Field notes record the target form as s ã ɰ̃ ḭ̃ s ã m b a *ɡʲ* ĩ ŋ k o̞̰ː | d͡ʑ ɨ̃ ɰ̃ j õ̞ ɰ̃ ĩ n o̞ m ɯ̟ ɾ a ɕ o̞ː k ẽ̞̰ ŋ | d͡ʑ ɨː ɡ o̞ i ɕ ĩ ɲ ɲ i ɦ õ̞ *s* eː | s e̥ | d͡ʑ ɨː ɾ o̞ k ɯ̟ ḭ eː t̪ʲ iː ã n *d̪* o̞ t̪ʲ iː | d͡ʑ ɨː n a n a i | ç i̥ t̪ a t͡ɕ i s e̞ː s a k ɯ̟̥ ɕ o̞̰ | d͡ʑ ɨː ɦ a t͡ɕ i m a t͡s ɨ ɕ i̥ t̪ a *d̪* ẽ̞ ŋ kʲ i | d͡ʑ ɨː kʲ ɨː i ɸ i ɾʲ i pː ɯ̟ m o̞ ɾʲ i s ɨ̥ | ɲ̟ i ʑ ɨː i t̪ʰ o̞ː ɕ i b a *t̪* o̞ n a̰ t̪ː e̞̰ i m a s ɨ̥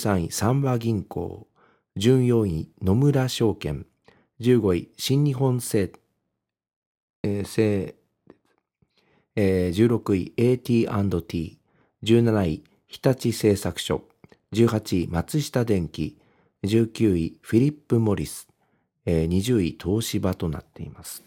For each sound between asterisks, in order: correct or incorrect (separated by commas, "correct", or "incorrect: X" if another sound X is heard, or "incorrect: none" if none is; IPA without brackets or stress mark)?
correct, correct, correct, correct, correct